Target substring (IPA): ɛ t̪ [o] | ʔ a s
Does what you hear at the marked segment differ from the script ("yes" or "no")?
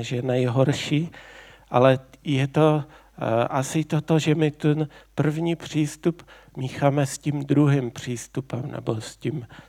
no